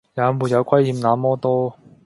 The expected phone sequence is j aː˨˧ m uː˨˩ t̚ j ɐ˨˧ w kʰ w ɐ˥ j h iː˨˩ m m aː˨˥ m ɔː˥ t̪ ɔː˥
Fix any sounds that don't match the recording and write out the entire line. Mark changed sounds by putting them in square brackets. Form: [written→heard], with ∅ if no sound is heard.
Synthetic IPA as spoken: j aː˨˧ m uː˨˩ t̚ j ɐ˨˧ w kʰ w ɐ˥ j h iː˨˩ m [m→n] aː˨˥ m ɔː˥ t̪ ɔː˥